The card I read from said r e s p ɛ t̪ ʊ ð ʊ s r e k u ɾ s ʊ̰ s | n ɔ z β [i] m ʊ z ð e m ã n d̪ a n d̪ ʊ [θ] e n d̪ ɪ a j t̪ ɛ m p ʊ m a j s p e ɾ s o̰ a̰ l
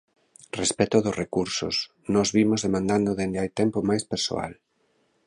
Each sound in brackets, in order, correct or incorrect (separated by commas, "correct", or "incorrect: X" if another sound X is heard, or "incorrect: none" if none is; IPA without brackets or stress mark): correct, incorrect: ð